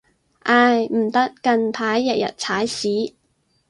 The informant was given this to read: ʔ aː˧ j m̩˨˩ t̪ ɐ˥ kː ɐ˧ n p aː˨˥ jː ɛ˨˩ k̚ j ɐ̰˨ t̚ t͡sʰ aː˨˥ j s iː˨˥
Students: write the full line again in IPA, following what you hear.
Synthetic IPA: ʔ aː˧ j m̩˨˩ t̪ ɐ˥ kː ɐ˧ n pʰ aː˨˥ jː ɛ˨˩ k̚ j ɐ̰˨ t̚ t͡sʰ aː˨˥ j s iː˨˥